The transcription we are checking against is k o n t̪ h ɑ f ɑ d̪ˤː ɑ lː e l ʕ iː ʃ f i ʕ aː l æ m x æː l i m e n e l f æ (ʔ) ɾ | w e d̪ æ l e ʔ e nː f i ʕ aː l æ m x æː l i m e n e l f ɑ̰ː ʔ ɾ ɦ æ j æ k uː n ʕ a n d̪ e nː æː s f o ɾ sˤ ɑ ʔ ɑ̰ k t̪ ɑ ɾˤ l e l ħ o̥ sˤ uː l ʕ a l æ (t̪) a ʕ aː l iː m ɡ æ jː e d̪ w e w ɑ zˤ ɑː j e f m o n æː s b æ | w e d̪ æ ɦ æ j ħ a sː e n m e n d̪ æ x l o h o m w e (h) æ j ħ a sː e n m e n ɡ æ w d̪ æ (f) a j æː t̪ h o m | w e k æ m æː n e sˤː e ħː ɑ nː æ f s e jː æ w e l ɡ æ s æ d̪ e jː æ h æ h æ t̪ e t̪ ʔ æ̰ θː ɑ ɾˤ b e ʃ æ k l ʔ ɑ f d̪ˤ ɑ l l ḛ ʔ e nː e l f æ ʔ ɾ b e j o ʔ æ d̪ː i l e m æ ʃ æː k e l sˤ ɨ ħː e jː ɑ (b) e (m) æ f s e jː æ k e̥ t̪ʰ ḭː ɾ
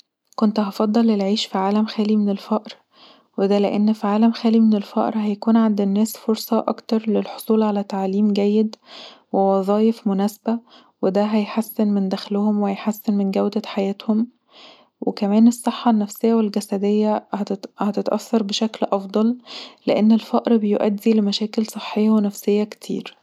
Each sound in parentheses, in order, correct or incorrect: correct, correct, correct, incorrect, incorrect, incorrect

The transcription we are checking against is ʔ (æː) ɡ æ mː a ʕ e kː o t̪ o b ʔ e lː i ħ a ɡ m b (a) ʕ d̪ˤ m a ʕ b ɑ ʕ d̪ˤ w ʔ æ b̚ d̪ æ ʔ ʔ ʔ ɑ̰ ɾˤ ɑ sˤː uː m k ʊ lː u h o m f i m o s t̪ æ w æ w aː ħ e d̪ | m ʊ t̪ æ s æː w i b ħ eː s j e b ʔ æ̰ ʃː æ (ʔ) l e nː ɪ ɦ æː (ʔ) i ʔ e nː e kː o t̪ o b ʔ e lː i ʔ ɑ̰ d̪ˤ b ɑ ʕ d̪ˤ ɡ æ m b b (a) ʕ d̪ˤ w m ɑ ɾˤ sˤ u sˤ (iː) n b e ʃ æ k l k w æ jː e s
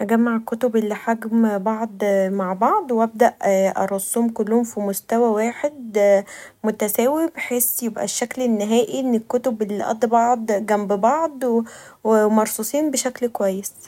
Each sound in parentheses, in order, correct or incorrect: incorrect, incorrect, incorrect, correct, incorrect, correct

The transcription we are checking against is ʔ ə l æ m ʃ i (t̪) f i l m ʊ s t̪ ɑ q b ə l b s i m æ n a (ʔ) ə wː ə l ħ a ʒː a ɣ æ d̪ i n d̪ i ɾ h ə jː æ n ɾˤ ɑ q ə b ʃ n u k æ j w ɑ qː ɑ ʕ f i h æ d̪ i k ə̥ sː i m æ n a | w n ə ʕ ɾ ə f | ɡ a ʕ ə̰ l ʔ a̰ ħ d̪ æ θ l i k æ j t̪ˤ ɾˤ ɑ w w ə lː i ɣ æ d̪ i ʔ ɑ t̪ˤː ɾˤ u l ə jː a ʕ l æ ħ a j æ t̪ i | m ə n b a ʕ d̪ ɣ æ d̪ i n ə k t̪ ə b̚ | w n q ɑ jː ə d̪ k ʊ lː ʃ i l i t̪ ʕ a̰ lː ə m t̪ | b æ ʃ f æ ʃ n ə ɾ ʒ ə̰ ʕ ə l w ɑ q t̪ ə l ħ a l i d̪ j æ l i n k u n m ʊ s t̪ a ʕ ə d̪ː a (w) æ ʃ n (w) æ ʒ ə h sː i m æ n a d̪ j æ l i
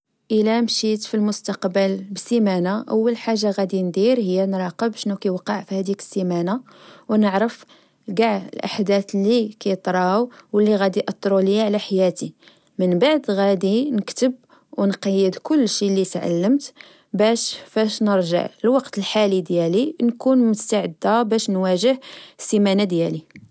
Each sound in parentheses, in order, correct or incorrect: correct, correct, incorrect, correct

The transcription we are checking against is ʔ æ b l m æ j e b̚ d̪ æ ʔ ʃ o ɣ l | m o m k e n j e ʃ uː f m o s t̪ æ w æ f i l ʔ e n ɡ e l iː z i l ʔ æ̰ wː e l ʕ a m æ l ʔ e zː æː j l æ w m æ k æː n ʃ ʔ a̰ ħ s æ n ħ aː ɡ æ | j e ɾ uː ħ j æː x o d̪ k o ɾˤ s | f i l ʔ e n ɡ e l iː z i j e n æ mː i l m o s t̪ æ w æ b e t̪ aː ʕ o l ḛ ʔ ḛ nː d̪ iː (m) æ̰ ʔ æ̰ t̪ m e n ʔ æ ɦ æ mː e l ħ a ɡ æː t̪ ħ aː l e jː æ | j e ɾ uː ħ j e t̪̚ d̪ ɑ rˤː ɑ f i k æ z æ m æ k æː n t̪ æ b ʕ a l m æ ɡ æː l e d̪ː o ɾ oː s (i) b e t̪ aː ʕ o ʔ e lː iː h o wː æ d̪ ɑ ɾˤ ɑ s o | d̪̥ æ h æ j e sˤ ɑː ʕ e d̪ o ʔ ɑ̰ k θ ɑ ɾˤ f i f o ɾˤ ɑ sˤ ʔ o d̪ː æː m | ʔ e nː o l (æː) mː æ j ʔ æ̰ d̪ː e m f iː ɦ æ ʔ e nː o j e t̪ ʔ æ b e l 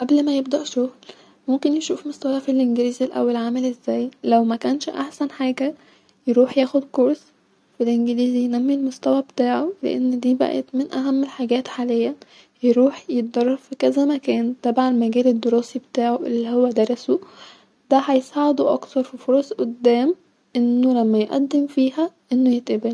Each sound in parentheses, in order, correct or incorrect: incorrect, correct, incorrect

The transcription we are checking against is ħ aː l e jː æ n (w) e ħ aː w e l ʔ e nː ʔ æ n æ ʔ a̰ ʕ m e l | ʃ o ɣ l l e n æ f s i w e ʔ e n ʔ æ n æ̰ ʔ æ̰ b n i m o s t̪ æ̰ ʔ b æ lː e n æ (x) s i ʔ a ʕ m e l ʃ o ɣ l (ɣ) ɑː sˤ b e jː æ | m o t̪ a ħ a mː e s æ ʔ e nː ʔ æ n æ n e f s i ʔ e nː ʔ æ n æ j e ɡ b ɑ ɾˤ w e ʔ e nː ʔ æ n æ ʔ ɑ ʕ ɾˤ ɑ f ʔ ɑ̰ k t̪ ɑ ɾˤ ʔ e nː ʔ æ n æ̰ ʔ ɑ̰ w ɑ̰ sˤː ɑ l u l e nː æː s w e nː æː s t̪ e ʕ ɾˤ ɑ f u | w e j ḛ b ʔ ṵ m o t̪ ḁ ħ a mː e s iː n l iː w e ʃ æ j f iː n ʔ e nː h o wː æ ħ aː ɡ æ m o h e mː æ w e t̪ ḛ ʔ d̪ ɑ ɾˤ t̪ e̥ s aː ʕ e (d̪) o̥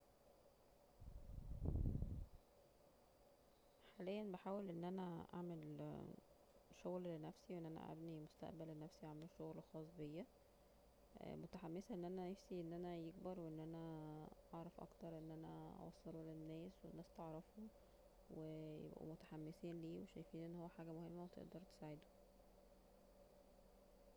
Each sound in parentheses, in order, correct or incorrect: incorrect, incorrect, incorrect, correct

